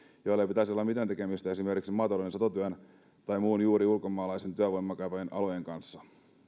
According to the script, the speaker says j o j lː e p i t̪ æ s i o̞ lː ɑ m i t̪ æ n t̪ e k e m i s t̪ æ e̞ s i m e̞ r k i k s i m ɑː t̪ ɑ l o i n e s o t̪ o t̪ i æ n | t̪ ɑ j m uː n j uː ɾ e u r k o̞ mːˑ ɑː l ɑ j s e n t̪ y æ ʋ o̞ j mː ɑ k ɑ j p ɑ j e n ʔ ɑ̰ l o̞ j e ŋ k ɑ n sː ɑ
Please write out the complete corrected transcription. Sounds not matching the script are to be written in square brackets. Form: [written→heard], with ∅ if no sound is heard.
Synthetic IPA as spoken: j o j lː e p i t̪ æ s i o̞ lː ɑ m i t̪ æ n t̪ e k e m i s t̪ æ e̞ s i m e̞ r k i k s i m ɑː t̪ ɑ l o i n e s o t̪ o t̪ [i→y] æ n | t̪ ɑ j m uː n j uː ɾ [e→i] u [r→l] k o̞ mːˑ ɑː l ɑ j s e n t̪ y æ ʋ o̞ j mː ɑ k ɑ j p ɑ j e n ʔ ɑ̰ l o̞ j e ŋ k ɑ n sː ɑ